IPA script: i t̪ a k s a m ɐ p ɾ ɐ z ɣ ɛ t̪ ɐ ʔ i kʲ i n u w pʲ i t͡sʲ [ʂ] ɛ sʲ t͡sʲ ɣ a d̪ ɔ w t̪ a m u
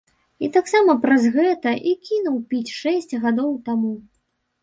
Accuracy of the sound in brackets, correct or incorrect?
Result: correct